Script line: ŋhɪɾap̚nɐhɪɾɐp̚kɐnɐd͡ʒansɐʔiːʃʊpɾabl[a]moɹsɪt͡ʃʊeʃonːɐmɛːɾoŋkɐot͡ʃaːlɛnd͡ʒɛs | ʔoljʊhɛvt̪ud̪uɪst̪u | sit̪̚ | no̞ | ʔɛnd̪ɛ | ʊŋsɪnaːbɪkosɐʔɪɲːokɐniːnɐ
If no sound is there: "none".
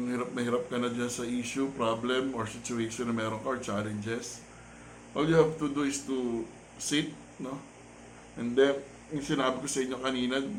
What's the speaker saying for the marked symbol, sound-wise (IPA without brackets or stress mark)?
ɛ